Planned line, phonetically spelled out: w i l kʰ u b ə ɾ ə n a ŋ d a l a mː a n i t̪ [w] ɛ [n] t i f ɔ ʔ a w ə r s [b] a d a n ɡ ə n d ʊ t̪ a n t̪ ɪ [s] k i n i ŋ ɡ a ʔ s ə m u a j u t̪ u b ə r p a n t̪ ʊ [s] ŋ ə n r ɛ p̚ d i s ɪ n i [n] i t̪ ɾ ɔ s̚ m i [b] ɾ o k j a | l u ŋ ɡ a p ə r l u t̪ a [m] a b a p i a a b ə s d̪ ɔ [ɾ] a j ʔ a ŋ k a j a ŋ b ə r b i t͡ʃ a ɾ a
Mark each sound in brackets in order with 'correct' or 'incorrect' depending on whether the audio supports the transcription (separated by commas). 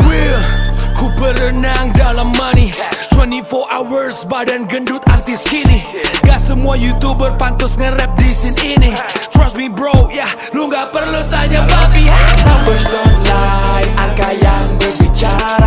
correct, correct, correct, correct, correct, correct, correct, incorrect, incorrect